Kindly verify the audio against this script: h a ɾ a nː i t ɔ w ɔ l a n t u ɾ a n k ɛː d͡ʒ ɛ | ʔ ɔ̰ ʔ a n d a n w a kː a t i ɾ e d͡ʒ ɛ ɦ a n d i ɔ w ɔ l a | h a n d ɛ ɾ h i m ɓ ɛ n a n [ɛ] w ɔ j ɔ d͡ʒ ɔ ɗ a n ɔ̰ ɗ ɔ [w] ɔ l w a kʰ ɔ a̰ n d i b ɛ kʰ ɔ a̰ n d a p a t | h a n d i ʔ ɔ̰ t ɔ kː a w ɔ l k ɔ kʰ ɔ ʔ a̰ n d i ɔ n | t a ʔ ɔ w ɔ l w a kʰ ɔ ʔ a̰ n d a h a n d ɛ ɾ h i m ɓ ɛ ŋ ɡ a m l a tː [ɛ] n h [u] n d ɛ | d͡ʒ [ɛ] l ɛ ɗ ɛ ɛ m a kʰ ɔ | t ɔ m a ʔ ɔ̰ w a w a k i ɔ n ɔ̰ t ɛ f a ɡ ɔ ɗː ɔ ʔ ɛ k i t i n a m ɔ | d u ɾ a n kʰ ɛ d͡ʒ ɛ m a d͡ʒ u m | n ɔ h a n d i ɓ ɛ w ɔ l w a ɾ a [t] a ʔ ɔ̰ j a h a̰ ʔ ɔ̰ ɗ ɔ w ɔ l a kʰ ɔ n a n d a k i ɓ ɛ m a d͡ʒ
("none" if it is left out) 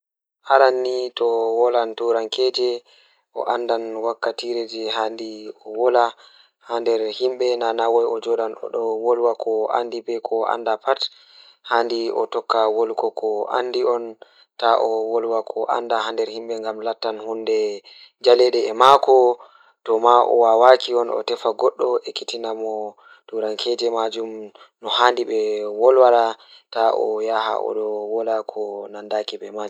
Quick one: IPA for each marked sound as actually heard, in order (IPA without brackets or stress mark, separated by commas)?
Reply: a, w, a, u, a, t